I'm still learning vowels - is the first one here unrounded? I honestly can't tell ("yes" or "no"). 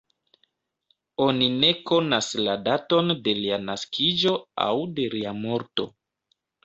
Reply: no